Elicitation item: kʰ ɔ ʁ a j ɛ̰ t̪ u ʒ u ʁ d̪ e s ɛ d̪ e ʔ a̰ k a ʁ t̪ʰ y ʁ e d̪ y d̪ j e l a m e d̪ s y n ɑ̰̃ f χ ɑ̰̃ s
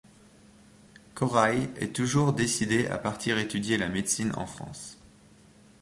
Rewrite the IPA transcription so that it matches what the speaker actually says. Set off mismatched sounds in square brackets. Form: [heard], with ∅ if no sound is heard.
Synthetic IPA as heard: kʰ ɔ ʁ a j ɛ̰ t̪ u ʒ u ʁ d̪ e s [i] d̪ e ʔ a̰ [p] a ʁ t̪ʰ [i] ʁ e [t̪] y d̪ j e l a m e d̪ s [i] n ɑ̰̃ f χ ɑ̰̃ s

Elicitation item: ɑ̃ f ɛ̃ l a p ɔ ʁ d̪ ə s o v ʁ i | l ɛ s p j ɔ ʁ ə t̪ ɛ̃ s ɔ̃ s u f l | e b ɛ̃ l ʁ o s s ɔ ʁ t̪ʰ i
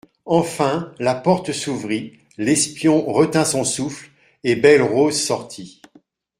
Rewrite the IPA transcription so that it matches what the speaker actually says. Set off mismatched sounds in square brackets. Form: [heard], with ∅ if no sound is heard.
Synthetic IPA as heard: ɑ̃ f ɛ̃ l a p ɔ ʁ [t̪] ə s [u] v ʁ i | l ɛ s p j [ɔ̃] ʁ ə t̪ ɛ̃ s ɔ̃ s u f l | e b [ɛ] l ʁ o [z] s ɔ ʁ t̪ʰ i

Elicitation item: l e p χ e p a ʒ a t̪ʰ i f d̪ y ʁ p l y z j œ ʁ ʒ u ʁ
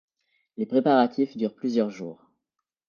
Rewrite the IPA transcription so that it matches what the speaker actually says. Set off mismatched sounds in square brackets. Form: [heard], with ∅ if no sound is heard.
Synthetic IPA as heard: l e p χ e p a [ʁ] a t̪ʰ i f d̪ y ʁ p l y z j œ ʁ ʒ [uː] ʁ

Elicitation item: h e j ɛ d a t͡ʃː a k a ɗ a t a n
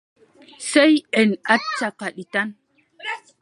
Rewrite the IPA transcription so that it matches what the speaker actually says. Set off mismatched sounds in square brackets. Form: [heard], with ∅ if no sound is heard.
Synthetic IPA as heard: [s] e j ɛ [n] a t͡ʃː a k a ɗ [i] t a n

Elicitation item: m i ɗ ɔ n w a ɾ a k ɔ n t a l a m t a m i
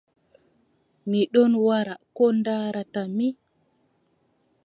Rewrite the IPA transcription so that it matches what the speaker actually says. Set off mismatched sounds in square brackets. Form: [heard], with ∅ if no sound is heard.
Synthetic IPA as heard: m i ɗ ɔ n w a ɾ a k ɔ n [d] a [ɾ] a [∅] t a m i

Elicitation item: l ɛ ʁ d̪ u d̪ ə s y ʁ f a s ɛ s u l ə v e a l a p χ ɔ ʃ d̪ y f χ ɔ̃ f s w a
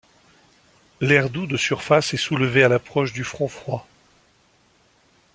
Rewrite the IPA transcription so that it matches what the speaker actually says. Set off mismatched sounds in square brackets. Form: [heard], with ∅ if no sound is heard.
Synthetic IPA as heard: l ɛ ʁ d̪ u d̪ ə s y ʁ f a s ɛ s u l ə v e a l a p χ ɔ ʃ d̪ y f χ ɔ̃ f [χ] w a

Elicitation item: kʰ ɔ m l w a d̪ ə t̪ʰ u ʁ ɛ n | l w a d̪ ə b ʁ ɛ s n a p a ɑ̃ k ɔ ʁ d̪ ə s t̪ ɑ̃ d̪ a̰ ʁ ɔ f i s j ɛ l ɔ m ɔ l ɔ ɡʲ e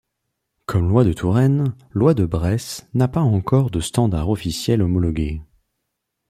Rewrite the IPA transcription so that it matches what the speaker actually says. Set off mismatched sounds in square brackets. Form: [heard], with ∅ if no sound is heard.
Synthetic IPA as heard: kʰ ɔ m l w a d̪ ə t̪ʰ u ʁ ɛ n | l w a d̪ ə b ʁ ɛ s n a p a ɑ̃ k ɔ ʁ d̪ ə s t̪ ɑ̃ d̪ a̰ ʁ ɔ f i s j ɛ l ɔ m ɔ l ɔ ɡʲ e

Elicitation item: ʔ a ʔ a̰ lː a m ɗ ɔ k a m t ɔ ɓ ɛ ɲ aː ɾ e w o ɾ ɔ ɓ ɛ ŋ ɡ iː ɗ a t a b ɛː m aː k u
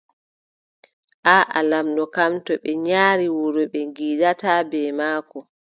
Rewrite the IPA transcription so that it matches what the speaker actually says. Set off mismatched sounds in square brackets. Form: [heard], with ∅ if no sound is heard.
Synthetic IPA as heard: ʔ a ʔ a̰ [l] a m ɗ ɔ k a m t ɔ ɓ ɛ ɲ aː ɾ [i] w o ɾ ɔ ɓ ɛ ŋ ɡ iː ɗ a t a b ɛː m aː k [ɔ]

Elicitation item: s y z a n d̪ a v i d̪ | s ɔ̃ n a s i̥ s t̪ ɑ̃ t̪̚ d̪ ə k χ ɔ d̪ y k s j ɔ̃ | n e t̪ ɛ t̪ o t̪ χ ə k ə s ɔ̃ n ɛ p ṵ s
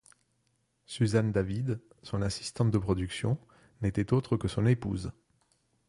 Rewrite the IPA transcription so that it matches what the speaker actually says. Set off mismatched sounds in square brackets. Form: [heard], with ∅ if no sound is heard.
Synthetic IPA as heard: s y z a n d̪ a v i d̪ | s ɔ̃ n a s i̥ s t̪ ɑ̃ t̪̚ d̪ ə [p] χ ɔ d̪ y k s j ɔ̃ | n e t̪ ɛ t̪ o t̪ χ ə k ə s ɔ̃ n [e] p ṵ [z]

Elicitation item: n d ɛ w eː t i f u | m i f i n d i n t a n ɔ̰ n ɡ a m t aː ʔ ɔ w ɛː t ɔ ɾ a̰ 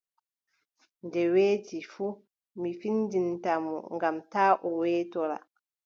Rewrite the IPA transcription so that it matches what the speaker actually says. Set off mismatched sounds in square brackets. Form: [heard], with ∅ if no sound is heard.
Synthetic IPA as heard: n d ɛ w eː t i f u | m i f i n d i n t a [m] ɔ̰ [ŋ] ɡ a m t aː ʔ ɔ w ɛː t ɔ ɾ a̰

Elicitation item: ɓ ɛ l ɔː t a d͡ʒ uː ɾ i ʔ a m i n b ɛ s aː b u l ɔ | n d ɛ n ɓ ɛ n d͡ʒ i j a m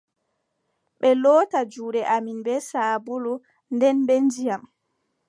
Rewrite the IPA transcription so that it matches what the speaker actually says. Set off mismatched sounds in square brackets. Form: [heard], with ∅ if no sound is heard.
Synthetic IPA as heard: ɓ ɛ l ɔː t a d͡ʒ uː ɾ [ɛ] ʔ a m i n b ɛ s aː b u l [u] | n d ɛ n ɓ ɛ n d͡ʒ i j a m

